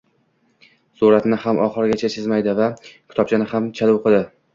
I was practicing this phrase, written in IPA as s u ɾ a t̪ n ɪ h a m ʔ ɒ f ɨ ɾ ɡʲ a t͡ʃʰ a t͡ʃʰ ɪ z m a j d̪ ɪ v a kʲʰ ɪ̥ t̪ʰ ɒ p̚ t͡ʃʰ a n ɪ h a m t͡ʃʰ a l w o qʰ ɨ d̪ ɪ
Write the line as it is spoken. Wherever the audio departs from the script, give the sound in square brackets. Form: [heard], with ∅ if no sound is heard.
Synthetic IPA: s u ɾ a t̪ n ɪ h a m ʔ ɒ [χ] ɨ ɾ ɡʲ a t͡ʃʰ a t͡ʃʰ ɪ z m a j d̪ ɪ v a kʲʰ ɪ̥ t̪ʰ ɒ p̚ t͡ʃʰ a n ɪ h a m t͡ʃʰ a l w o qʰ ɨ d̪ ɪ